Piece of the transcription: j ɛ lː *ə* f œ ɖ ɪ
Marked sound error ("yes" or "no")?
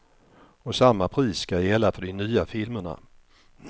yes